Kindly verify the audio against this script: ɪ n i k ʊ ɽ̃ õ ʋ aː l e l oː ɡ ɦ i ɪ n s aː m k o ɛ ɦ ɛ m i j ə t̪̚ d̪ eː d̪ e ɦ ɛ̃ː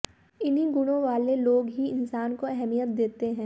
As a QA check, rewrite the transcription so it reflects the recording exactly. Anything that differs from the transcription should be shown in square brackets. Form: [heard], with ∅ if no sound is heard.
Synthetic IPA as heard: ɪ n i [ɡ] ʊ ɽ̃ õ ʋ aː l e l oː ɡ ɦ i ɪ n s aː [n] k o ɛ ɦ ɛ m i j ə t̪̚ d̪ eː [t̪] e ɦ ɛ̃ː